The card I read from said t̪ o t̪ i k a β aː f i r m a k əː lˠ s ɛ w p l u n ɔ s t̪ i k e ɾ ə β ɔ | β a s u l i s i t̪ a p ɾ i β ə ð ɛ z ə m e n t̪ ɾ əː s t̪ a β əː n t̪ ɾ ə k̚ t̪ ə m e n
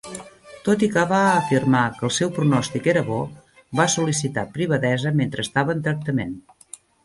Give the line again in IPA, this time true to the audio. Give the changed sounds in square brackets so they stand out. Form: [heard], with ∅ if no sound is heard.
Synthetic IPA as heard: t̪ o t̪ i k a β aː f i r m a k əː lˠ s ɛ w p [ɾ] u n ɔ s t̪ i k e ɾ ə β ɔ | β a s u l i s i t̪ a p ɾ i β ə ð ɛ z ə m e n t̪ ɾ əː s t̪ a β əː n t̪ ɾ ə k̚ t̪ ə m e n